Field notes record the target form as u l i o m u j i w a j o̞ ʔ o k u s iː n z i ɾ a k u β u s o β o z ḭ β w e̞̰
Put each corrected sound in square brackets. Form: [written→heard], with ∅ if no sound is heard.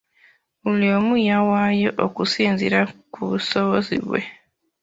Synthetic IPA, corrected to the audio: u l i o m u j [i→a] w a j o̞ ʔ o k u s iː n z i ɾ a k u β u s o β o z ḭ β w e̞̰